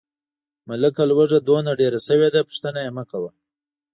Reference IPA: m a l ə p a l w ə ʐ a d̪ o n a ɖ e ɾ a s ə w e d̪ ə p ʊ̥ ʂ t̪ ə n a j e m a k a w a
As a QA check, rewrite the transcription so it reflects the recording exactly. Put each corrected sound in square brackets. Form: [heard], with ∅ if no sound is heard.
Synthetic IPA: m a l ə [k] a l w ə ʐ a d̪ o n a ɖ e ɾ a s ə w e d̪ [a] p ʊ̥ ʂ t̪ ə n a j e m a k a w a